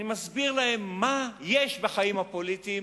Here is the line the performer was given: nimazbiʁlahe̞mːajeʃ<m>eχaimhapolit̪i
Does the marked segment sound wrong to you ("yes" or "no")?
yes